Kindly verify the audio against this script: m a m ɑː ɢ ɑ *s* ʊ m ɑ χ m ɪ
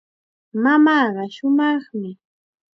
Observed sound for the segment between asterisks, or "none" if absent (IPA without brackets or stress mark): ʃ